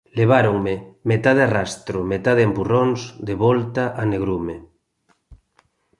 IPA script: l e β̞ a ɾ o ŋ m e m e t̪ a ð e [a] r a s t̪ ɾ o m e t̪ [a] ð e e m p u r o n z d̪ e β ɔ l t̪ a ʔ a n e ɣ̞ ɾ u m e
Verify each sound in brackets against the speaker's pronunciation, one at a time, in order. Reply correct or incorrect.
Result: correct, correct

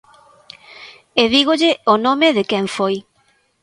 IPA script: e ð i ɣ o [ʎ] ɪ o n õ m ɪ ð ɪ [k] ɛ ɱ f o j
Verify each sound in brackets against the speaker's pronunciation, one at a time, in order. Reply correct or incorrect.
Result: correct, correct

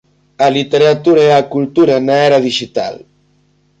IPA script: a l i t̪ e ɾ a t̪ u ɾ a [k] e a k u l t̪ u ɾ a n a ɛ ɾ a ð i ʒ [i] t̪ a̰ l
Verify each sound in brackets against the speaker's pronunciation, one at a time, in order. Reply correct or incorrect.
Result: incorrect: none, correct

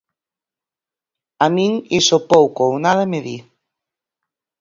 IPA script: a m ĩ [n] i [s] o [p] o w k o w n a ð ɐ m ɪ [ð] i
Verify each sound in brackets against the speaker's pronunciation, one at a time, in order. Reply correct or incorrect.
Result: incorrect: ŋ, correct, correct, correct

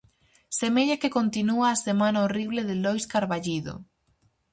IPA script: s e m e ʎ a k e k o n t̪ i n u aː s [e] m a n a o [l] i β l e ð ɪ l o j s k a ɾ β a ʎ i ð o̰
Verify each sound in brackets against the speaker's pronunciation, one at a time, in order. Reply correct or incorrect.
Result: correct, incorrect: r

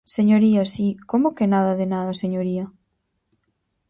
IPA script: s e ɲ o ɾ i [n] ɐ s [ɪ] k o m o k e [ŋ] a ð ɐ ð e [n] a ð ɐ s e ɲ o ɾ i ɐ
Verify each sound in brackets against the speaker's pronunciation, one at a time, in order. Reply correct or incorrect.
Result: incorrect: none, incorrect: i, incorrect: n, correct

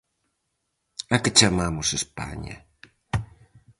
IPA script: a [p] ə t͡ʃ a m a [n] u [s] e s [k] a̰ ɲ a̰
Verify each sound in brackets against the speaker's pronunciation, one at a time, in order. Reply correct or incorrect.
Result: incorrect: k, incorrect: m, correct, incorrect: p

